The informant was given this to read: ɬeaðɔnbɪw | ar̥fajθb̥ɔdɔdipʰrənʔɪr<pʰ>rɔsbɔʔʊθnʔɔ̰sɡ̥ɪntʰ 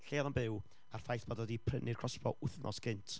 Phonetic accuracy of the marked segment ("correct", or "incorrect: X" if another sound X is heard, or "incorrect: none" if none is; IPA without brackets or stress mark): incorrect: kʰ